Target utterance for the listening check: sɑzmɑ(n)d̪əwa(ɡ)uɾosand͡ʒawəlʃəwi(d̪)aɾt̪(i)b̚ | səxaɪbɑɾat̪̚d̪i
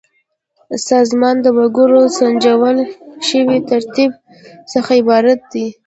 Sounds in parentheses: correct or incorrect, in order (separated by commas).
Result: correct, correct, incorrect, correct